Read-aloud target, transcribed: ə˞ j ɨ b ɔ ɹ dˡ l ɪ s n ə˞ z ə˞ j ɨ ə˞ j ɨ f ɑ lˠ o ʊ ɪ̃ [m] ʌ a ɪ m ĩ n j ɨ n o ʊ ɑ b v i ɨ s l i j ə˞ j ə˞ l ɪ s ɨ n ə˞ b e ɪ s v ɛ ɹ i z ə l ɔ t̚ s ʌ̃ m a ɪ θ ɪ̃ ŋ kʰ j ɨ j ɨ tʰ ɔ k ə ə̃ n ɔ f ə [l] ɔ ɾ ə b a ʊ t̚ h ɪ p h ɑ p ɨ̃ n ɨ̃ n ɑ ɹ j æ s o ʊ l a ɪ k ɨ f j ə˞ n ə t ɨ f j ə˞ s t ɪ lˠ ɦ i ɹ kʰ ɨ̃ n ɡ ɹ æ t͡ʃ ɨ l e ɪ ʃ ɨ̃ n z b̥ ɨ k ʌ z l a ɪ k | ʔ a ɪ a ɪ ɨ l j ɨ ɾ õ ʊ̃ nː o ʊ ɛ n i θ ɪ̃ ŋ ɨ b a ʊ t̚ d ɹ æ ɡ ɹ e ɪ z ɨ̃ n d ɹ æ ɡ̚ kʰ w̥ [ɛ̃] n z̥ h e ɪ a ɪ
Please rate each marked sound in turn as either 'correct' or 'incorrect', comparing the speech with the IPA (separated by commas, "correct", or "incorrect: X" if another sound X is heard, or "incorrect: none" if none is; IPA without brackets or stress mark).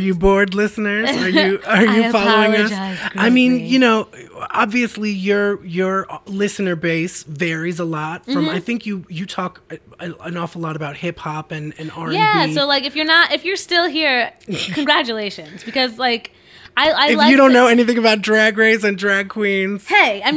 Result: incorrect: ŋ, correct, incorrect: ĩ